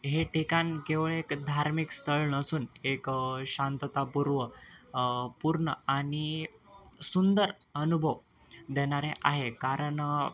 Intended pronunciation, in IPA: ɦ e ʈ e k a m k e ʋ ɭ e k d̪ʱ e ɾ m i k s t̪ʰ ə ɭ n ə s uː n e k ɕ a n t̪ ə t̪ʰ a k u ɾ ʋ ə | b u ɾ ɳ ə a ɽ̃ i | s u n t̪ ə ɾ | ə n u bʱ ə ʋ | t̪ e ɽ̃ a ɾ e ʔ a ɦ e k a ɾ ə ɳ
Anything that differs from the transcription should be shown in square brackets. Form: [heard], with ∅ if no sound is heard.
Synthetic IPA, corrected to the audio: ɦ e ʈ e k a [n] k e ʋ ɭ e k d̪ʱ [a] ɾ m i k s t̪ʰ ə ɭ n ə s uː n e k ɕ a n t̪ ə [t̪] a [p] u ɾ ʋ ə | [p] u ɾ ɳ ə a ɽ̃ i | s u n [d̪] ə ɾ | ə n u bʱ ə ʋ | [d̪] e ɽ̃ a ɾ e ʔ a ɦ e k a ɾ ə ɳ